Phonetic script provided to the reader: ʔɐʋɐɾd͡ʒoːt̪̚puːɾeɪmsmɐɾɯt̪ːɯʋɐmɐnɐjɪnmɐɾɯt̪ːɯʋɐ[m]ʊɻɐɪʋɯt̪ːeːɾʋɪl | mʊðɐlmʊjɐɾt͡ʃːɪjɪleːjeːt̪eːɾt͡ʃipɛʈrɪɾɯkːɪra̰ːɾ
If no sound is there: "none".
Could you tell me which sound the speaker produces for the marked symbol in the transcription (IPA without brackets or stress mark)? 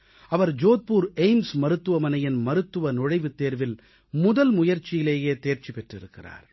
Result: n